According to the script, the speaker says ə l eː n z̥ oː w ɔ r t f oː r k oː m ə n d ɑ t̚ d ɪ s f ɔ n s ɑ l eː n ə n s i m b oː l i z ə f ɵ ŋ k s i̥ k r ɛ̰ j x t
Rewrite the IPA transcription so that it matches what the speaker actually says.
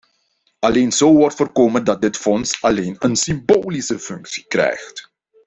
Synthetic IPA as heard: ɑ l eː n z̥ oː ʋ ɔ r t f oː r k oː m ə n d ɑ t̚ d ɪ t f ɔ n s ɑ l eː n ə n s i m b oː l i s ə f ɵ ŋ k s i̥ k r ɛ̰ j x t